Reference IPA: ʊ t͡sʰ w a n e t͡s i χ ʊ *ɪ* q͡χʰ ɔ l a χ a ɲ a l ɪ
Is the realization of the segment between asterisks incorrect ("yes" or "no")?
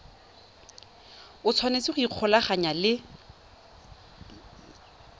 yes